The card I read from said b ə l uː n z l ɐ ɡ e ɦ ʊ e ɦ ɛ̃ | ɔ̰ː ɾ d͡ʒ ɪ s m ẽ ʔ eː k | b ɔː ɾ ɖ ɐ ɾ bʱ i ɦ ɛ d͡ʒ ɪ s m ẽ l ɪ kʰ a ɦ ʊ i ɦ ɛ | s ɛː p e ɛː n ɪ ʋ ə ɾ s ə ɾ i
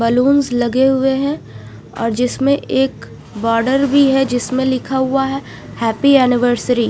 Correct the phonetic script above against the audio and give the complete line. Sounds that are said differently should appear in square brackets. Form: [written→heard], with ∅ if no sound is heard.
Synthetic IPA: b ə l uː n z l ɐ ɡ e ɦ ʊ e ɦ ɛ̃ | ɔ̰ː ɾ d͡ʒ ɪ s m ẽ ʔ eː k | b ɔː ɾ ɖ [ɐ→ə] ɾ bʱ i ɦ ɛ d͡ʒ ɪ s m ẽ l ɪ kʰ a ɦ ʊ [i→a] ɦ ɛ | [s→h] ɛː p [e→i] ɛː n ɪ ʋ ə ɾ s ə ɾ i